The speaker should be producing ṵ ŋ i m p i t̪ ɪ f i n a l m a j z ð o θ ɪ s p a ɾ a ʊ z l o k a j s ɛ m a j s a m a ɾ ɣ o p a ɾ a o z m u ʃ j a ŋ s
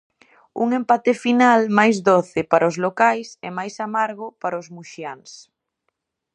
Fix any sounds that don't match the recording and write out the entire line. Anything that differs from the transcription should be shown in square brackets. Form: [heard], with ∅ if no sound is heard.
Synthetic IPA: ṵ ŋ [e] m p [a] t̪ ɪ f i n a l m a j z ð o θ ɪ [∅] p a ɾ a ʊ z l o k a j s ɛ m a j s a m a ɾ ɣ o p a ɾ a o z m u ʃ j a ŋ s